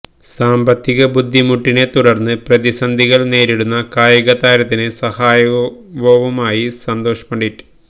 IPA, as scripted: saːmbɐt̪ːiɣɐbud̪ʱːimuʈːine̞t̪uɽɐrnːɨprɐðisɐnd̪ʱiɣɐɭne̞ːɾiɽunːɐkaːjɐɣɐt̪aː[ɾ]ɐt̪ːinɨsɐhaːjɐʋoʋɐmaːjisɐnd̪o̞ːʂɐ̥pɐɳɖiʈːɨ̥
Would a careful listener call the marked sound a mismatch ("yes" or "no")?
no